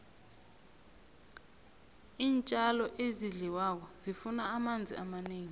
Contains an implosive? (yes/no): no